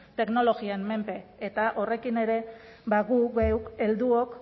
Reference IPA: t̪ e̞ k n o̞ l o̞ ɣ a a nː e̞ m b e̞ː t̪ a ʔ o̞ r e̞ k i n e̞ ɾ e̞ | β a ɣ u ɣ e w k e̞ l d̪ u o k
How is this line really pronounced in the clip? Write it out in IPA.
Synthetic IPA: t̪ e̞ k n o̞ l o̞ ɣ i a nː e̞ m p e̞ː t̪ a ʔ o̞ r e̞ k i n e̞ ɾ e̞ | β a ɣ u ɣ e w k e̞ l d̪ u o k